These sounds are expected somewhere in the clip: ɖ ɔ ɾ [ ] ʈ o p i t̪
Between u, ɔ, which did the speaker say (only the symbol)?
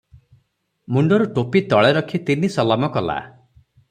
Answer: u